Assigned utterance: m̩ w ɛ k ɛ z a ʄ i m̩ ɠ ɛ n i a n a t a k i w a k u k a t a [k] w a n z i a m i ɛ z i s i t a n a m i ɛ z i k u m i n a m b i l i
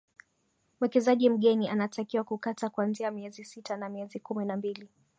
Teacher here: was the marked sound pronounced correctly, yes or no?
yes